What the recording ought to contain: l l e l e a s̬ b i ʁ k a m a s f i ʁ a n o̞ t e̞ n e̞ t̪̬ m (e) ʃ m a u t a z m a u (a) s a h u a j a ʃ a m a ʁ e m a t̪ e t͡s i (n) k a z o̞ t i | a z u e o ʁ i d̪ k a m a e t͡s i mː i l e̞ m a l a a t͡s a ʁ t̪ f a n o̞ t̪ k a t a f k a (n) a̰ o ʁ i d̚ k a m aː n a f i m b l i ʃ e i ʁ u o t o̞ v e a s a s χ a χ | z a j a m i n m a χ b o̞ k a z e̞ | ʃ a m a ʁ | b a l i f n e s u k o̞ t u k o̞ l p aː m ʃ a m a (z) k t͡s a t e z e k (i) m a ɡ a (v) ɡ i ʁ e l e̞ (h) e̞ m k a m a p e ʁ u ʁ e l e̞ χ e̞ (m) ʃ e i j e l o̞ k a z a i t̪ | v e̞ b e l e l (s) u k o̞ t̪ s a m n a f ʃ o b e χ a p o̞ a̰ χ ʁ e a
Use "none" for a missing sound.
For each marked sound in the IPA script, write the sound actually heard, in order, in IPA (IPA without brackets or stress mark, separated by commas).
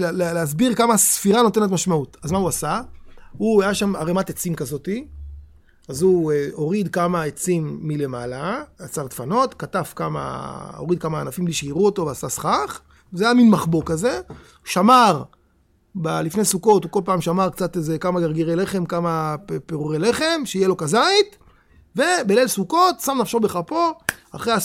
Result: a, a, m, m, ʁ, a, ʁ, χ, m, s